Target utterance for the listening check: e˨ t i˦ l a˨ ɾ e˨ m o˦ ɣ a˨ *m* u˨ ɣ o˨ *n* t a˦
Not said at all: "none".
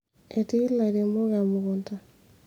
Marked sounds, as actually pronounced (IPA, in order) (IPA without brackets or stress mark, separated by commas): m, n